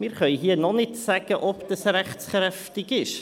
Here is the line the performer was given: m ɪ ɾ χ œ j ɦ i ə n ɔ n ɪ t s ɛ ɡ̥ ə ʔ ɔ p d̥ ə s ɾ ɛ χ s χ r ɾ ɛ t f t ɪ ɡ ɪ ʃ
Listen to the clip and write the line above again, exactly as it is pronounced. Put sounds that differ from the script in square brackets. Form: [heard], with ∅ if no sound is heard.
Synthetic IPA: m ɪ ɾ χ œ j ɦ i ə n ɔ n ɪ t s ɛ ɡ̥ ə ʔ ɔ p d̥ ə s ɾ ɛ χ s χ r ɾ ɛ [∅] f t ɪ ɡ ɪ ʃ